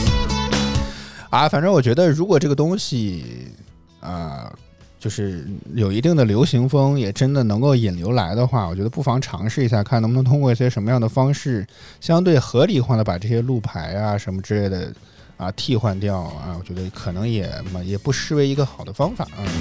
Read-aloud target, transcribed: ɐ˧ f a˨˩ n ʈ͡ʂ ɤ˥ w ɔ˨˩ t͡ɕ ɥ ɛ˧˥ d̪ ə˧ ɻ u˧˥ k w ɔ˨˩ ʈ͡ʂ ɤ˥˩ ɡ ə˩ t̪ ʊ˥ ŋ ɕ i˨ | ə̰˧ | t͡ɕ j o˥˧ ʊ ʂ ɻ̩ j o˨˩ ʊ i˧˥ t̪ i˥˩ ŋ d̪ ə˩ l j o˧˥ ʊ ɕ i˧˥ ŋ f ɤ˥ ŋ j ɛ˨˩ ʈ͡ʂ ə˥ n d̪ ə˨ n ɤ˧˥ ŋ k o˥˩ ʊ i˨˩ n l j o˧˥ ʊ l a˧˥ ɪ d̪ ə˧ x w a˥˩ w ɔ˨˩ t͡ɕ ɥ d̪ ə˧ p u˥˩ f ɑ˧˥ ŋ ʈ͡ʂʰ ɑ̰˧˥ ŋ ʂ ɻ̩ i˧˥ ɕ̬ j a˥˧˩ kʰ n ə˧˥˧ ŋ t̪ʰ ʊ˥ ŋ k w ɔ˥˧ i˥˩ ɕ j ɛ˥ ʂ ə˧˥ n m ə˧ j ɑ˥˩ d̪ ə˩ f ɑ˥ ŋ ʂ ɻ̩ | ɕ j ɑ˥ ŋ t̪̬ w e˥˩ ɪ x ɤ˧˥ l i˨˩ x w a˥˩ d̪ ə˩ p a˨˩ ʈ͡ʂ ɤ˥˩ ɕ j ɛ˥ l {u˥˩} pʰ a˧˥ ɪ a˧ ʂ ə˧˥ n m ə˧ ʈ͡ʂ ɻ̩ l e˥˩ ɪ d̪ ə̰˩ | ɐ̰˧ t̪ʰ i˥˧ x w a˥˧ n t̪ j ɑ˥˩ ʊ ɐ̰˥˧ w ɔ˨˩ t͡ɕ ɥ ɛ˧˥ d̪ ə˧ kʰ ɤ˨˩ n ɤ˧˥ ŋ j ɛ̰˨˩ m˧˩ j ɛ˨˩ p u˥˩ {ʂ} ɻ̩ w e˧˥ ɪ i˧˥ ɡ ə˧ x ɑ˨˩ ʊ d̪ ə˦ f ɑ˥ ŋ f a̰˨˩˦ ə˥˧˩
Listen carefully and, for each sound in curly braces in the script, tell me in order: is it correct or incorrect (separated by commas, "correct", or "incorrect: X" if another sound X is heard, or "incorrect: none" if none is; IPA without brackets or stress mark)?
correct, correct